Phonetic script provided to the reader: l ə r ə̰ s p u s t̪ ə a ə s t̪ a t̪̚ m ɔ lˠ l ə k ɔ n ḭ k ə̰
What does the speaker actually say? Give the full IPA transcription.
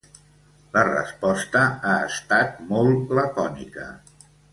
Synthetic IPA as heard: l ə r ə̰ s p ɔ s t̪ ə a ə s t̪ a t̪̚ m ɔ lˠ l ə k ɔ n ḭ k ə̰